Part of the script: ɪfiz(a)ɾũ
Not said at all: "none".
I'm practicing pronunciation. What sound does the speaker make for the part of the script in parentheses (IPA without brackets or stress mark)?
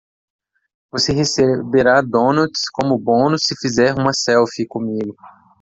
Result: ɛ